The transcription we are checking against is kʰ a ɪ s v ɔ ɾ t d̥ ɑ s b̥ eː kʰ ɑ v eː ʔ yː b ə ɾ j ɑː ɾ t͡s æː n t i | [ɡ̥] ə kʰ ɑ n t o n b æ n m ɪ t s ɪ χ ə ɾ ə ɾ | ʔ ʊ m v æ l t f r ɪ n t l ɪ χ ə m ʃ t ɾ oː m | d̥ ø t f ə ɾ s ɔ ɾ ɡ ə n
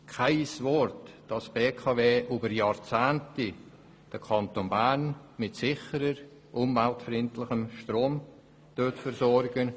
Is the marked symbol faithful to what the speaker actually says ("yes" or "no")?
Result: no